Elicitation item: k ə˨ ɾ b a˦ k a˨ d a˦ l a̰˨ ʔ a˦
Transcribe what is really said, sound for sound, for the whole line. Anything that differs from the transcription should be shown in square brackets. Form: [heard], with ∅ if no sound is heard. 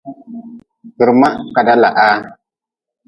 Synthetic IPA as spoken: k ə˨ ɾ [m] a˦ k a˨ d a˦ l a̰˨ ʔ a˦